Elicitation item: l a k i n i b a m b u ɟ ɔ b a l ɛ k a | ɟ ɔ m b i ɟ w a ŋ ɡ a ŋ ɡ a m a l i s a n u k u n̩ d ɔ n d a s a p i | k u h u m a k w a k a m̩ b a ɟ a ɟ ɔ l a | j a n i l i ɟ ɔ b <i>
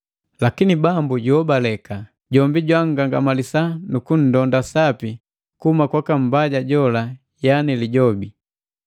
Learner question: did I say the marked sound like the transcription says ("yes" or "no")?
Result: yes